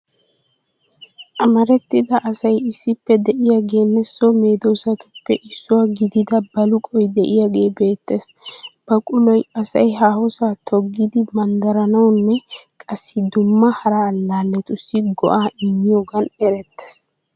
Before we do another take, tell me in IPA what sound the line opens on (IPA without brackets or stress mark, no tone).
ʔ